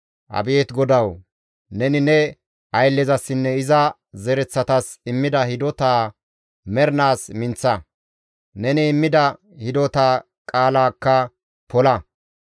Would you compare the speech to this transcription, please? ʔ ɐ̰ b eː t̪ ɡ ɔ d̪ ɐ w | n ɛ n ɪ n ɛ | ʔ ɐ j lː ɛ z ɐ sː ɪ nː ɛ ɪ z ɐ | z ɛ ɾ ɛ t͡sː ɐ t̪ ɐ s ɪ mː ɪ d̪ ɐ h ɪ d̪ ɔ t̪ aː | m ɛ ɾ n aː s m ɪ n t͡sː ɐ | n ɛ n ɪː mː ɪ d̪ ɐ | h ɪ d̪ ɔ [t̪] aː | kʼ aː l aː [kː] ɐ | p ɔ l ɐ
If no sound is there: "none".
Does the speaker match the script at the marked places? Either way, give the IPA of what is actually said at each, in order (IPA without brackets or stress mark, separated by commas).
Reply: t̪, kː